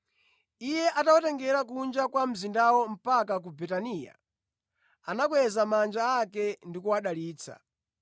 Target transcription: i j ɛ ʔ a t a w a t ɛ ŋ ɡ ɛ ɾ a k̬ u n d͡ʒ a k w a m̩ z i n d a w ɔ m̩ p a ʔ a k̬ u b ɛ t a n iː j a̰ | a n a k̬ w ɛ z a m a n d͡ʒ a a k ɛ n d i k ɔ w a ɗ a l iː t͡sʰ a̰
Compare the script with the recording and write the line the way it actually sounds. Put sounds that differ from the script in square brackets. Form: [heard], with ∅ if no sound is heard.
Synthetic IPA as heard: i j ɛ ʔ a t a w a t ɛ ŋ ɡ ɛ ɾ a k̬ u n d͡ʒ a k w a m̩ z i n d a w ɔ m̩ p a [k] a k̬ u b ɛ t a n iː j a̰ | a n a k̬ w ɛ z a m a n d͡ʒ a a k ɛ n d i k [u] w a ɗ a l iː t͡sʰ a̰